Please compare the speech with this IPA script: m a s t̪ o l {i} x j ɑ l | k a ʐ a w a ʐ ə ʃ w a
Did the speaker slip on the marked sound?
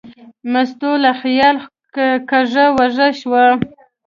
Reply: yes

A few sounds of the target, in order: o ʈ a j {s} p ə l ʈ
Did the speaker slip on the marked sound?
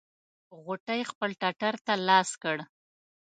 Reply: yes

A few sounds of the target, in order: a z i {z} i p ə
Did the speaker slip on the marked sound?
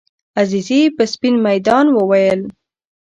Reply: no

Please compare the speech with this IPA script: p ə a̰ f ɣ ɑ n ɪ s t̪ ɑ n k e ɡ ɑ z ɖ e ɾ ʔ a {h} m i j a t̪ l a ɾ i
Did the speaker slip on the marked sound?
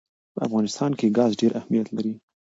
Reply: no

